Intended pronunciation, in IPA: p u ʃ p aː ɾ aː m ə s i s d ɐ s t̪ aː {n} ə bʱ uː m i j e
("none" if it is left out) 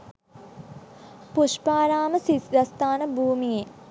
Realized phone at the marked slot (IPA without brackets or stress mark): n